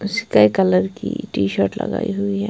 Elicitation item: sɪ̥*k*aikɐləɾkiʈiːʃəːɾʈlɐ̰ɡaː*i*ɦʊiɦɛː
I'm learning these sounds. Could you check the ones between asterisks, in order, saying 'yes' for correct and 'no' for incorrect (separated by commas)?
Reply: yes, yes